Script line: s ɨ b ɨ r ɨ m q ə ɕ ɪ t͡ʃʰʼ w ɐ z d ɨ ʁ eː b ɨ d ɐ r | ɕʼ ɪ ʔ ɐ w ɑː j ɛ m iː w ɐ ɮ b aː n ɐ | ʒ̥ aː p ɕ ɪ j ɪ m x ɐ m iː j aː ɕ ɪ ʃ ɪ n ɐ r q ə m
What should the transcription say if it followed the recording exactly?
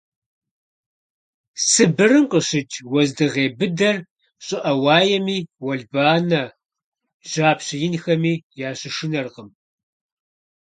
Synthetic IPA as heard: s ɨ b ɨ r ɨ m q ə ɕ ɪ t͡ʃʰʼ w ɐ z d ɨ ʁ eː b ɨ d ɐ r | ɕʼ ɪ ʔ ɐ w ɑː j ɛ m iː w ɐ ɮ b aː n ɐ | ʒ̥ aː p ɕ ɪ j ɪ n x ɐ m iː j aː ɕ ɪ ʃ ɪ n ɐ r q ə m